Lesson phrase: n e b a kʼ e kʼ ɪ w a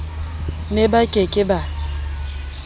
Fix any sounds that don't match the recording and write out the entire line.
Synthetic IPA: n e b a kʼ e kʼ ɪ b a